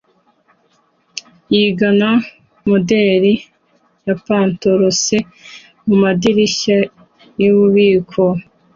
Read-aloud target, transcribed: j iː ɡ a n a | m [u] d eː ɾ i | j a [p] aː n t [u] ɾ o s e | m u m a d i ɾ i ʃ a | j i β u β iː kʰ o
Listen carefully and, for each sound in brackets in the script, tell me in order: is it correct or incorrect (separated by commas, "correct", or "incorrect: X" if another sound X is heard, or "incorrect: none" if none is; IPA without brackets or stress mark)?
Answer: incorrect: o, correct, incorrect: o